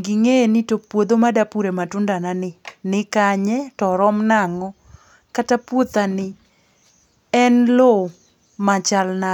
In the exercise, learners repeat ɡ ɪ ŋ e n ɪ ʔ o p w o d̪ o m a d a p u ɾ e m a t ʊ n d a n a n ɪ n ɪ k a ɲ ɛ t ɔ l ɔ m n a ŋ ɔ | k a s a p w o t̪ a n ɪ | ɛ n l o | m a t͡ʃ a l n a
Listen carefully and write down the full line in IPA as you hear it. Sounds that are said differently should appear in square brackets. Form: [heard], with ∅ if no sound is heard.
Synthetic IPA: ɡ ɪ ŋ e n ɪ [t] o p w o d̪ o m a d a p u ɾ e m a t ʊ n d a n a n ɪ n ɪ k a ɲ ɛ t ɔ [ɾ] ɔ m n a ŋ ɔ | k a [t] a p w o t̪ a n ɪ | ɛ n l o | m a t͡ʃ a l n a